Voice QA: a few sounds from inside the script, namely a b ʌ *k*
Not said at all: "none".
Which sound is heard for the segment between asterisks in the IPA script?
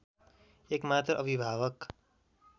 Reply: k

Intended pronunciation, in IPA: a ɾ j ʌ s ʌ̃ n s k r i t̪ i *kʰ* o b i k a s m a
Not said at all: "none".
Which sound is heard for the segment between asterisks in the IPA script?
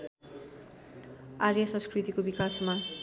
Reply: k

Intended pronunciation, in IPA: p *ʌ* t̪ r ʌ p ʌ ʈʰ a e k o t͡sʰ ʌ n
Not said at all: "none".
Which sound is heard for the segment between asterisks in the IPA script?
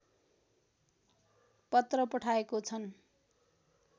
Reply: ʌ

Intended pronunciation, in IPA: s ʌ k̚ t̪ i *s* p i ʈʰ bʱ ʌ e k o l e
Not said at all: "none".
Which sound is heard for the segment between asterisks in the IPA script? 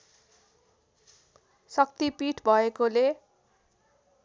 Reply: none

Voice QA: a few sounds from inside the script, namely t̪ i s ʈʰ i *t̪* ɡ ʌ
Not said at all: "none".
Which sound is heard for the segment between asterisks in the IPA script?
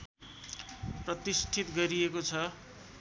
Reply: t̪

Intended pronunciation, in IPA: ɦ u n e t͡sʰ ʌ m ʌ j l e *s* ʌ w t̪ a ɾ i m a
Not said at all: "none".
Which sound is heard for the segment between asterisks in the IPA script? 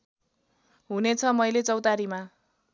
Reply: t͡s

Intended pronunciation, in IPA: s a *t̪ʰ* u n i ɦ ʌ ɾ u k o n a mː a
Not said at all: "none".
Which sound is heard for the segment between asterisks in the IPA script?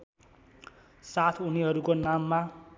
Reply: t̪ʰ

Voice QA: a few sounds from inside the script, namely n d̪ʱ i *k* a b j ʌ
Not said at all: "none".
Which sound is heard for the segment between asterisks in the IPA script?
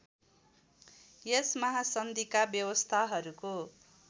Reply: k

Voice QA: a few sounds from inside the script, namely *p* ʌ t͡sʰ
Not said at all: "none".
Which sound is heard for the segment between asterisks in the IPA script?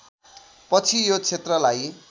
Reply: p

